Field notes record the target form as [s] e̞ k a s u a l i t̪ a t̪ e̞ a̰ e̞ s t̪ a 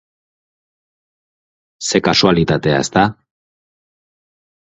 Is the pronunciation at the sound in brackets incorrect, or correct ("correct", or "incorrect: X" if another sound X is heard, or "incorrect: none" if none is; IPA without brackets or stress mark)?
correct